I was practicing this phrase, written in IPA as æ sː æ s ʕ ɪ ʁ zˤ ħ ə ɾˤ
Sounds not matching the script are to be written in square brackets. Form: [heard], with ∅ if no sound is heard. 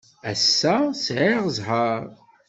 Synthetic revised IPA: æ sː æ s ʕ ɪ ʁ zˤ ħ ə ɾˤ